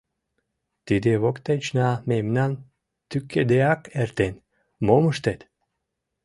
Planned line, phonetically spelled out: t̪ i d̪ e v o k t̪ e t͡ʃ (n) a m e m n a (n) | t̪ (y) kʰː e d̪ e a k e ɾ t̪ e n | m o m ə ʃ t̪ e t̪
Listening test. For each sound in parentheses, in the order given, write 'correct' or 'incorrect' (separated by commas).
correct, correct, correct